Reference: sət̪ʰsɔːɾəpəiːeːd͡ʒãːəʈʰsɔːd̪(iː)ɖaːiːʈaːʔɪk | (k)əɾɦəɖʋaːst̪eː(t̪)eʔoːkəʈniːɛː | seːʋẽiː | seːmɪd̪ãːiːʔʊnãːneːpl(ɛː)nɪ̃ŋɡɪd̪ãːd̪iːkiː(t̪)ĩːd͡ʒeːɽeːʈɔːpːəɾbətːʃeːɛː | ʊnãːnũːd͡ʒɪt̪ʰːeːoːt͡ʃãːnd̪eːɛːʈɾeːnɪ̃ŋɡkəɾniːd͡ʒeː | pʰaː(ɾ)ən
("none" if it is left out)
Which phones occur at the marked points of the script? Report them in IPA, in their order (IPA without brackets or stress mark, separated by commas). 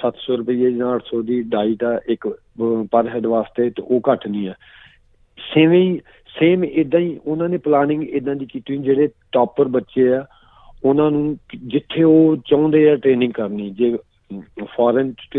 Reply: iː, p, t̪, aː, t̪, ɾ